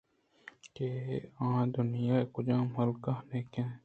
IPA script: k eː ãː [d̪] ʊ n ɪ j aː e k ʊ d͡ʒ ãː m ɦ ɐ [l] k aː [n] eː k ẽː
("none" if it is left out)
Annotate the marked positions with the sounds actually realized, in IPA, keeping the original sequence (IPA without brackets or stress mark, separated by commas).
d̪, l, n